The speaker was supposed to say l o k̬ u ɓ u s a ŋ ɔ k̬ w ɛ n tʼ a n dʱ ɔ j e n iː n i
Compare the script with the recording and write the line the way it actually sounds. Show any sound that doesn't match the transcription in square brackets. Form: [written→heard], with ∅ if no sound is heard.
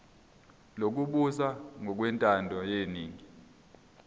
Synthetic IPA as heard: l o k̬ u ɓ u s a ŋ ɔ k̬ w ɛ n tʼ a n dʱ ɔ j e n iː [n→ŋ] i